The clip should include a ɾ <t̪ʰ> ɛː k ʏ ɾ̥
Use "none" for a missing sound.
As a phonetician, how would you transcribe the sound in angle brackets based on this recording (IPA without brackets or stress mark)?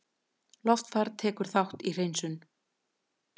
t̪ʰ